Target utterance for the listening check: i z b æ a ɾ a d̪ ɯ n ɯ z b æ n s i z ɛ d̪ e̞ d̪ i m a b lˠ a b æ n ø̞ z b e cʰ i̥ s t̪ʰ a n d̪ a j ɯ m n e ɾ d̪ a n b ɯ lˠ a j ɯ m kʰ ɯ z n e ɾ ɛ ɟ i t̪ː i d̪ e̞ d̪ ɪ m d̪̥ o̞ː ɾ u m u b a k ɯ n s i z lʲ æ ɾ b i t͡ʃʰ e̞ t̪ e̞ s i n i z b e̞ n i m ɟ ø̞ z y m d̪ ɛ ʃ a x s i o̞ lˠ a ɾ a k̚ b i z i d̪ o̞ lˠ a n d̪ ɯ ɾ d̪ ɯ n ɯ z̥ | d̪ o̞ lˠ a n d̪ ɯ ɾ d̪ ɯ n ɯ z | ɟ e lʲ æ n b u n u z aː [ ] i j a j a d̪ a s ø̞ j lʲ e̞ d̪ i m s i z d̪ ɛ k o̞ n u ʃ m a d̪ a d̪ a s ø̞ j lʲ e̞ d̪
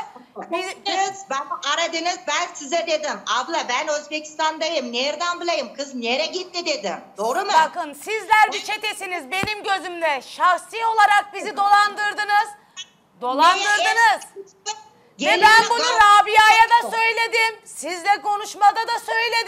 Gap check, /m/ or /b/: b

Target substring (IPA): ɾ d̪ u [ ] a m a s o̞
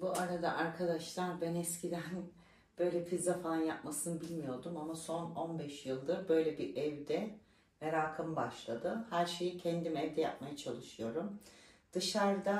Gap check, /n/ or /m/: m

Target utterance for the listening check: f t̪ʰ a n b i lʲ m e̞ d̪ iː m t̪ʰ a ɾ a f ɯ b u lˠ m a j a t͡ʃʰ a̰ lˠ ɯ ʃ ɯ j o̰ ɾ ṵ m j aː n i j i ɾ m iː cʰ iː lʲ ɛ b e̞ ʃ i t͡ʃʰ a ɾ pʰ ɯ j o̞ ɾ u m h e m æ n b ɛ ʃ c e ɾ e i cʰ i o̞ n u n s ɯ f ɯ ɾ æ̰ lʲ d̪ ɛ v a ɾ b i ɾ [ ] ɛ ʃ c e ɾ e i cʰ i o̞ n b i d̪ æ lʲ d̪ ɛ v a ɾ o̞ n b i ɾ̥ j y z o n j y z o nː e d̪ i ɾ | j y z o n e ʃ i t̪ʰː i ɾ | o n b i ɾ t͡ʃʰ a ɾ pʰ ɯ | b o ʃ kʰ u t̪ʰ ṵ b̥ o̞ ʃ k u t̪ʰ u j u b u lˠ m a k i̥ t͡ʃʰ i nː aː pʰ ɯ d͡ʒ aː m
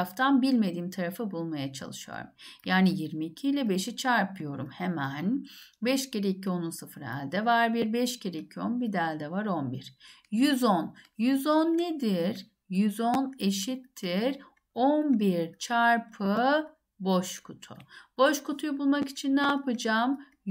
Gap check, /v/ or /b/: b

